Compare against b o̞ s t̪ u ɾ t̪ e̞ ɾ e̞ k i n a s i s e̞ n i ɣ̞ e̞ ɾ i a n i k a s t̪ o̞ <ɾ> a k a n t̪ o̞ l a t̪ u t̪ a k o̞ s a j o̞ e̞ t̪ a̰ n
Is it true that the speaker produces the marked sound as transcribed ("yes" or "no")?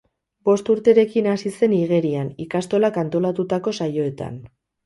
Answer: no